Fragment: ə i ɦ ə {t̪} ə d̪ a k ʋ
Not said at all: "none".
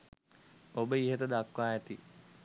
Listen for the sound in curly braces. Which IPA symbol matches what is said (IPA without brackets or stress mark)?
t̪